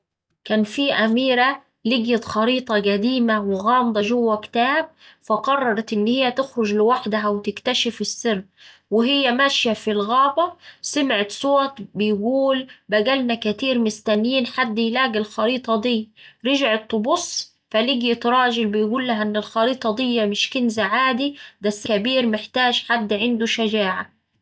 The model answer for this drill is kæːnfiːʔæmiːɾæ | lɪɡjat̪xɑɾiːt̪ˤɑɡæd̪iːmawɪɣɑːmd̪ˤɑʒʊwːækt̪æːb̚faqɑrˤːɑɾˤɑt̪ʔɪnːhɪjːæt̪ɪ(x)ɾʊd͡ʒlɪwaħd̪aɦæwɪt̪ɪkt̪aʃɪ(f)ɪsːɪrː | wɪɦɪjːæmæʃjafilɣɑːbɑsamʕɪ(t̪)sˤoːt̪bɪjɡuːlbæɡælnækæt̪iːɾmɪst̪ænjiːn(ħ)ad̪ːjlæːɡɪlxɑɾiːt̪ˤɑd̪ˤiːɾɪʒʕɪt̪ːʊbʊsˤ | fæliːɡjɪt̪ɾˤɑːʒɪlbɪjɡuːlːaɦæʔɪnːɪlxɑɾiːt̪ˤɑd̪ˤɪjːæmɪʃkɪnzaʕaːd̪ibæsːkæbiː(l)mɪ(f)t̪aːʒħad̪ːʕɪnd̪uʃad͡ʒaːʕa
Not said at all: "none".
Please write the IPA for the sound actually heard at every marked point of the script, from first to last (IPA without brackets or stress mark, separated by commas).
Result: x, f, t̪, ħ, ɾ, ħ